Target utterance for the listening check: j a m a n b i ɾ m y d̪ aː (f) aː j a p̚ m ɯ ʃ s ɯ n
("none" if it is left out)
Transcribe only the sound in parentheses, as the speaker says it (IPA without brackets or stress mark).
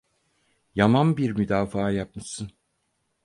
f